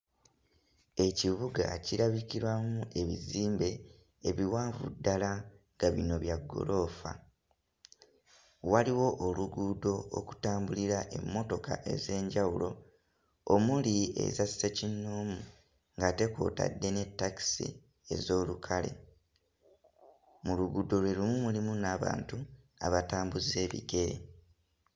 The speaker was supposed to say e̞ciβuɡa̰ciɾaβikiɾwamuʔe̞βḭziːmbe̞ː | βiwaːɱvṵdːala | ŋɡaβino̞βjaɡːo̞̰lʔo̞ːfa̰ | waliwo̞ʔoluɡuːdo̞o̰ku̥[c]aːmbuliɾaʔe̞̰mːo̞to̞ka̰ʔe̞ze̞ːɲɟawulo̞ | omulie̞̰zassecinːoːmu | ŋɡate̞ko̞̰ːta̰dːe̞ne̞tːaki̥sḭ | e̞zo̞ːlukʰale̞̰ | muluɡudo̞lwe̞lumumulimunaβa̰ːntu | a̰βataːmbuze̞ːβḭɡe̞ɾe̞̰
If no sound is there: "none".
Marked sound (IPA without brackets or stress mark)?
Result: t